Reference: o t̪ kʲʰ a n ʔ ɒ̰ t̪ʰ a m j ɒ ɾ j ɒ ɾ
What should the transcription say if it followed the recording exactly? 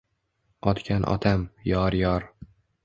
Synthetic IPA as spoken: ɒ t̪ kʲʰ a n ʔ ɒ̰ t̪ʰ a m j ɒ ɾ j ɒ ɾ